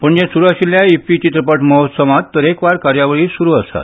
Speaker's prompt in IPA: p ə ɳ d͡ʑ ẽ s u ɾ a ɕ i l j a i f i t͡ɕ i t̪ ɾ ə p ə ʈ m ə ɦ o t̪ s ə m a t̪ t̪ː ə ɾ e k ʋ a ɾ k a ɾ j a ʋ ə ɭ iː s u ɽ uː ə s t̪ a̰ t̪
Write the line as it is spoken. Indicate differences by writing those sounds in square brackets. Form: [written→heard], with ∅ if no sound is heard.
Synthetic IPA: p ə ɳ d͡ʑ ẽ s u ɾ a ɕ i l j a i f i t͡ɕ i t̪ ɾ ə p ə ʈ m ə ɦ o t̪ s ə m a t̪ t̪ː ə ɾ e k ʋ a ɾ k a ɾ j a ʋ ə ɭ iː s u [ɽ→ɾ] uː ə s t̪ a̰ t̪